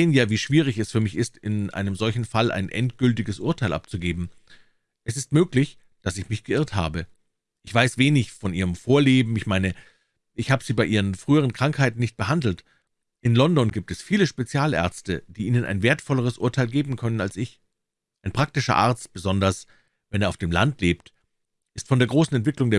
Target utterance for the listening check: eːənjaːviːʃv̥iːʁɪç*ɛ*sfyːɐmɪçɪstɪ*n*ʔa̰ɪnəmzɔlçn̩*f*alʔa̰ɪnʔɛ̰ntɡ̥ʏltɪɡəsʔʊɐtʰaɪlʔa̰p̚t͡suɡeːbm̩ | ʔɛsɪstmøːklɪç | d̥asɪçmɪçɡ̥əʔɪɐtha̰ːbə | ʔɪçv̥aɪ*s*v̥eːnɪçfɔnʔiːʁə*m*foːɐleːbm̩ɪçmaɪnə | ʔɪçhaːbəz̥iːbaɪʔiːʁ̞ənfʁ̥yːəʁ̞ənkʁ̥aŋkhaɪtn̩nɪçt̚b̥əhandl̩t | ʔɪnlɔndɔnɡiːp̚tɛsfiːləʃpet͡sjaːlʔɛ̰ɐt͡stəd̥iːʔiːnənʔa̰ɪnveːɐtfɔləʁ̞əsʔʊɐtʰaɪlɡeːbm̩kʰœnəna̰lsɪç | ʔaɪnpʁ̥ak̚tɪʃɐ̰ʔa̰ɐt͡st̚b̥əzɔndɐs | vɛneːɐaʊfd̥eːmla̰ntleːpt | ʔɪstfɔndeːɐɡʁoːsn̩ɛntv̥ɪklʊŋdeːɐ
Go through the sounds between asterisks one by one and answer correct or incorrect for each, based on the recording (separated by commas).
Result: correct, correct, correct, correct, correct